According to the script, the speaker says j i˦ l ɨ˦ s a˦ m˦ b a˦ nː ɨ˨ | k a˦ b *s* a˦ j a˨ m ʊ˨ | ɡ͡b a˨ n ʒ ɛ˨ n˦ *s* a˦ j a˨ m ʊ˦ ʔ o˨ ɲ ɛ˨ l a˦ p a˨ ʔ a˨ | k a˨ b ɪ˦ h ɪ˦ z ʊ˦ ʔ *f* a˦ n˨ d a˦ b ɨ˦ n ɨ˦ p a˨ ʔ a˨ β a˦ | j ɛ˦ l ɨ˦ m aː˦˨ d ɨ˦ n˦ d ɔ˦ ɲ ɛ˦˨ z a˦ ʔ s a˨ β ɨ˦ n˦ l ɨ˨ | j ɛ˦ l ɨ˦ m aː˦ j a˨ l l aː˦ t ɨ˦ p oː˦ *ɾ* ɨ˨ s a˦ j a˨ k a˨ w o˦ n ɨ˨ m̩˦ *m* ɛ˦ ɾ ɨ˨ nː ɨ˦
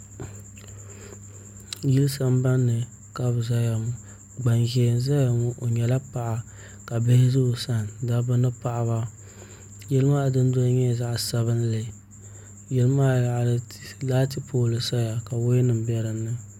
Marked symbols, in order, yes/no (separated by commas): no, no, no, no, no